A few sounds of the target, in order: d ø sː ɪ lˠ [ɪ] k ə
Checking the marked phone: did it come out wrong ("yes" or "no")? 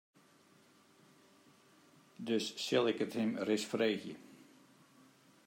no